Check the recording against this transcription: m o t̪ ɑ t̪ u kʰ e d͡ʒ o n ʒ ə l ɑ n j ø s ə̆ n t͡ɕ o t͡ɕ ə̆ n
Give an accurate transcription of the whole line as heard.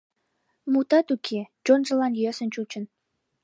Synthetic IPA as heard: m u t̪ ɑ t̪ u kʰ e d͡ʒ o n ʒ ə l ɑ n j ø s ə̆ n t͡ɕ u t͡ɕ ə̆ n